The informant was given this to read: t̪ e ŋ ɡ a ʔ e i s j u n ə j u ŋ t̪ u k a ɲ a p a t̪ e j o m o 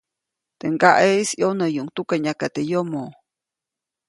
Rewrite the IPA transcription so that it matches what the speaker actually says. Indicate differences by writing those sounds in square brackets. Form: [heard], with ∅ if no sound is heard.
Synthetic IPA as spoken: t̪ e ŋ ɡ a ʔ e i s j [o] n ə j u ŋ t̪ u k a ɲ a [k] a t̪ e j o m o

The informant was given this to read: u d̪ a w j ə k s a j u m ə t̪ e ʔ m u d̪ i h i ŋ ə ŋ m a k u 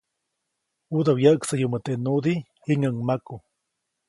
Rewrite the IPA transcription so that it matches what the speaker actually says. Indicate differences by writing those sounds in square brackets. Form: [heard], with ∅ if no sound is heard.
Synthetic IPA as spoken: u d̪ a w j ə k s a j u m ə t̪ e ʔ [n] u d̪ i h i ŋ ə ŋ m a k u

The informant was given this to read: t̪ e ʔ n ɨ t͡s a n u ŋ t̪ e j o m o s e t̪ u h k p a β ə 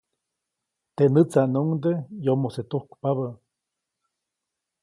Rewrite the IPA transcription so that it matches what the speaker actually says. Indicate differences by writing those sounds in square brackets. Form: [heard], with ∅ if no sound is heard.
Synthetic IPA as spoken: t̪ e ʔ n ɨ t͡s a n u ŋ [d̪] e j o m o s e t̪ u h k p a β ə

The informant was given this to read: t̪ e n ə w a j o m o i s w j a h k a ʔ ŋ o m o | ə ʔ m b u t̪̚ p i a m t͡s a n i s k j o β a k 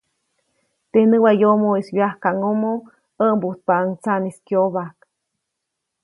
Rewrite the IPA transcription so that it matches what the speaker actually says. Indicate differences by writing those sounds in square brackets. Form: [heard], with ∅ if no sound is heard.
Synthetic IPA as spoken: t̪ e n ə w a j o m o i s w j a h k a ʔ ŋ o m o | ə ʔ m b u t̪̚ p [a] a [ŋ] t͡s a n i s k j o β a k

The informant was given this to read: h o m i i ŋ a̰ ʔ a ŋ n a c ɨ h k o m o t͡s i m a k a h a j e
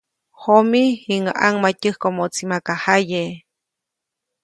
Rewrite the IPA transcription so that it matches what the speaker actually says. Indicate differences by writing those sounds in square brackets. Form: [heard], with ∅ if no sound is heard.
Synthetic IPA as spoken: h o m i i ŋ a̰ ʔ a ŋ [m] a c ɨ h k o m o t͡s i m a k a h a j e

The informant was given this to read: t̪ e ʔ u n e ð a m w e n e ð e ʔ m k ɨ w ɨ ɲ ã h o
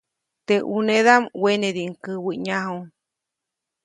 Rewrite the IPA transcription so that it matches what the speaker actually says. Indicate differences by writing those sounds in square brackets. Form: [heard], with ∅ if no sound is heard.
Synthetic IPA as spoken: t̪ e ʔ u n e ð a m w e n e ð [i] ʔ [ŋ] k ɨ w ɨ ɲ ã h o

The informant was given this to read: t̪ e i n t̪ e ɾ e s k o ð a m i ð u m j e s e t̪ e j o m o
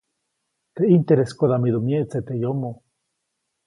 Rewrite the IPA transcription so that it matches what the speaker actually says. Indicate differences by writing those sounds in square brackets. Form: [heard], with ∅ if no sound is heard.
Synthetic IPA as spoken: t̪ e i n t̪ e ɾ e s k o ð a m i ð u m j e [t͡s] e t̪ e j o m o

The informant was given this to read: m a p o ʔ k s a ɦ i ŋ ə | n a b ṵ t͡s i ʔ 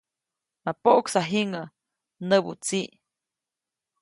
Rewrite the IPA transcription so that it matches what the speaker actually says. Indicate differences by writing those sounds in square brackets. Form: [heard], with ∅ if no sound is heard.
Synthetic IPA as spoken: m a p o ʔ k s a ɦ i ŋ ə | n [ə] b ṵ t͡s i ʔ

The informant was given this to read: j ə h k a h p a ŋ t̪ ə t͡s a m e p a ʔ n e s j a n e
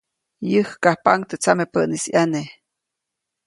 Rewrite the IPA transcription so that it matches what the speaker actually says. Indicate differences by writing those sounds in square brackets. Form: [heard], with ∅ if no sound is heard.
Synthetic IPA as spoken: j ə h k a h p a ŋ t̪ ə t͡s a m e p [ə] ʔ n [i] s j a n e

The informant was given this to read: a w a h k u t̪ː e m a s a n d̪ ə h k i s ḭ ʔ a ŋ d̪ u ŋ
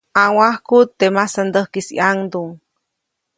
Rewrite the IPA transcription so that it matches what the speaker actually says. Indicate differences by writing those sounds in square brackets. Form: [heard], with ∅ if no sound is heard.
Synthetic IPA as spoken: a w a h k u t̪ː e m a s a n d̪ ə h k i s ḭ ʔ a ŋ d̪ u ŋ

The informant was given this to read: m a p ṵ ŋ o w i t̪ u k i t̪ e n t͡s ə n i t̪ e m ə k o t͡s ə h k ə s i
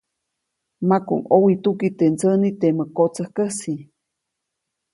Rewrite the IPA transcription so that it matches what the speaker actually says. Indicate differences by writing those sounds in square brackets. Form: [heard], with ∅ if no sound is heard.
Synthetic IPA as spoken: m a [k] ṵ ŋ o w i t̪ u k i t̪ e n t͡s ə n i t̪ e m ə k o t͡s ə h k ə s i

